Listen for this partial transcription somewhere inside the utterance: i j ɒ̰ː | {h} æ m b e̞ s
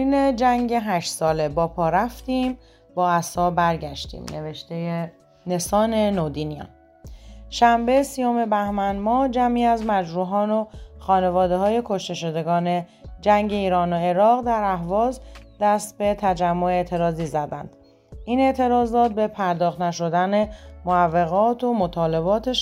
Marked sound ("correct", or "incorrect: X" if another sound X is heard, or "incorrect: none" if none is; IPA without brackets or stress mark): incorrect: ʃ